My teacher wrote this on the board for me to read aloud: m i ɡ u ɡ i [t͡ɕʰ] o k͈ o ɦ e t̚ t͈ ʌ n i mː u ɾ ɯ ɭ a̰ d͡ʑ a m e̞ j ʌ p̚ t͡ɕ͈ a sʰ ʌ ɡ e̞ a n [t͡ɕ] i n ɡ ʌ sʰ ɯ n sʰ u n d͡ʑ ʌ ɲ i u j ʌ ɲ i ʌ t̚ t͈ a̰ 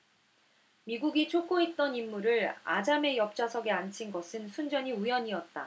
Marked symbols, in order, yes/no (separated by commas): yes, no